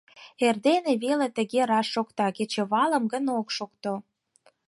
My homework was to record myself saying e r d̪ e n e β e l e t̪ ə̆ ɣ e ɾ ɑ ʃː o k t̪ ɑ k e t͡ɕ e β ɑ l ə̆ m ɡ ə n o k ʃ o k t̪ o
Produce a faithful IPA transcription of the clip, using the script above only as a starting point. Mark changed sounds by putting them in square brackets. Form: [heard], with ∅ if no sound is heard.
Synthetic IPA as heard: e r d̪ e n e β e l e t̪ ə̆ ɣ e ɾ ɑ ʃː o k t̪ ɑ k e t͡ɕ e β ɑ l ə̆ m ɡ ə n o k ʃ o k t̪ o